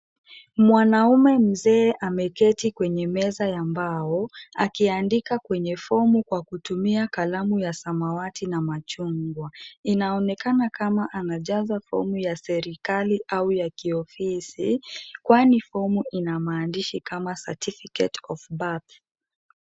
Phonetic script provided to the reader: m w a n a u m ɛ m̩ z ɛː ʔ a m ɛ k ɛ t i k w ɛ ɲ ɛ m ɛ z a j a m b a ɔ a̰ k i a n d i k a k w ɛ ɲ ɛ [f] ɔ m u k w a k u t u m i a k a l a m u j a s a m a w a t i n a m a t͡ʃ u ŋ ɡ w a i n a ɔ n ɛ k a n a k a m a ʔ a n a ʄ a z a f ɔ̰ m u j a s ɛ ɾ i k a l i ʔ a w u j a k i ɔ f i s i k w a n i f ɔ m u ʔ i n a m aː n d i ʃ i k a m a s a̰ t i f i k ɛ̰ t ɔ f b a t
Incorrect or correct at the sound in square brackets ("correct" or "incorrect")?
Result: correct